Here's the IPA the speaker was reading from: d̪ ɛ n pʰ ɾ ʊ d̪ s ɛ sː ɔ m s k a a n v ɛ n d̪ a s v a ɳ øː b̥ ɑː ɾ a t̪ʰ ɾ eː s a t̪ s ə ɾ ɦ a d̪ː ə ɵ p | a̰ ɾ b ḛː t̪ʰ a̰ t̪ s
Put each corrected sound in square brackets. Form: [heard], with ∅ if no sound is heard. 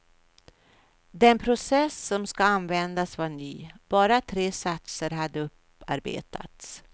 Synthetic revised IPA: d̪ ɛ n pʰ ɾ ʊ [∅] s ɛ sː ɔ m s k a a n v ɛ n d̪ a s v a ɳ [yː] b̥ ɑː ɾ a t̪ʰ ɾ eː s a t̪ s ə ɾ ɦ a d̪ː ə ɵ p | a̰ ɾ b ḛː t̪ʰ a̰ t̪ s